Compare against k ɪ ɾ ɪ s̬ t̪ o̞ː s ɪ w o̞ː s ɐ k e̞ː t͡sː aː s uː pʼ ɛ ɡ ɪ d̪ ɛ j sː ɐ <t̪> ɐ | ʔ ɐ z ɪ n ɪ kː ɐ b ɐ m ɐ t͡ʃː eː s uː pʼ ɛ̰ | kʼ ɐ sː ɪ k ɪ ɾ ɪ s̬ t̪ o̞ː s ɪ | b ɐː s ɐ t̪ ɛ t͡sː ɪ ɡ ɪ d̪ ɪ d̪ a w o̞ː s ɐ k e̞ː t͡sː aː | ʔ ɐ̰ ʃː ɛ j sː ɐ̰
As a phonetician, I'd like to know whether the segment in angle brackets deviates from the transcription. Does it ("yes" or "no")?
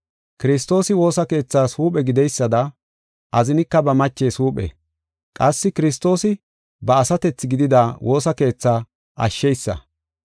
yes